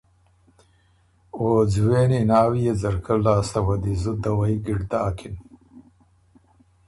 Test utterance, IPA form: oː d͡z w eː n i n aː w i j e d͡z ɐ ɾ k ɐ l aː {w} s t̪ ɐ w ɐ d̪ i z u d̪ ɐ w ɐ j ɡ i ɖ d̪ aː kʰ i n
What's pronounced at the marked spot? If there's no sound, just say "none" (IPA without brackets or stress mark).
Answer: none